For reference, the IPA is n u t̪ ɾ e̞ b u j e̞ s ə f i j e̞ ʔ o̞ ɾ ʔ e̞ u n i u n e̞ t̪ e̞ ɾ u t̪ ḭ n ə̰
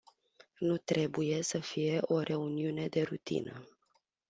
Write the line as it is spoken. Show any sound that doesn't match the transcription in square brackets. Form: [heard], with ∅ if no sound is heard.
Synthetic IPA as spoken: n u t̪ ɾ e̞ b u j e̞ s ə f i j e̞ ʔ o̞ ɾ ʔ e̞ u n i u n e̞ [d̪] e̞ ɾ u t̪ ḭ n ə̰